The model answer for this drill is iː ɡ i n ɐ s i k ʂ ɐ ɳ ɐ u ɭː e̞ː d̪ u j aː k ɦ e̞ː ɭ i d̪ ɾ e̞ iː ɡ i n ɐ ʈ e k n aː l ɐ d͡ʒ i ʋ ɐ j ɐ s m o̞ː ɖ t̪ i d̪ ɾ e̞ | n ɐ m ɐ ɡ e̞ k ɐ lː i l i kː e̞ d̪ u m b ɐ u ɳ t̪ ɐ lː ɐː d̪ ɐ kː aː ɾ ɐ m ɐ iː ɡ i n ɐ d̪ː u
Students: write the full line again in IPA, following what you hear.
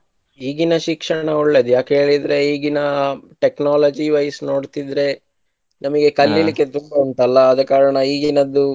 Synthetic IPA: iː ɡ i n ɐ ʃ i k ʂ ɐ ɳ ɐ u ɭː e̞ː d̪ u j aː k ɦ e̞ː ɭ i d̪ ɾ e̞ iː ɡ i n ɐ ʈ e k n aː l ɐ d͡ʒ i ʋ ɐ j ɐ s n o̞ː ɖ t̪ i d̪ ɾ e̞ | n ɐ m ɐ ɡ e̞ k ɐ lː i l i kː e̞ t̪ u m b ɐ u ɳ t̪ ɐ lː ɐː d̪ ɐ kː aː ɾ ɐ ɳ ɐ iː ɡ i n ɐ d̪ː u